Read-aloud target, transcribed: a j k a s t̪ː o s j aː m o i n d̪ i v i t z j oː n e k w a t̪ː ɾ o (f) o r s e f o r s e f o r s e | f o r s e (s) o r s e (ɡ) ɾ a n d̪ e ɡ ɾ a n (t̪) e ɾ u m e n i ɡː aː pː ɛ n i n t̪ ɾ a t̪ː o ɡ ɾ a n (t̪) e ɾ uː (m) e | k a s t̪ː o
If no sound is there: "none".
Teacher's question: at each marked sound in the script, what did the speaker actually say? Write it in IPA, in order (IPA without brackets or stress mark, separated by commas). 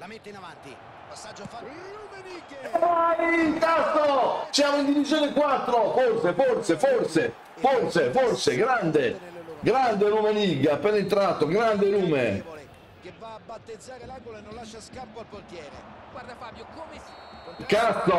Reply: f, f, ɡ, d̪, d̪, m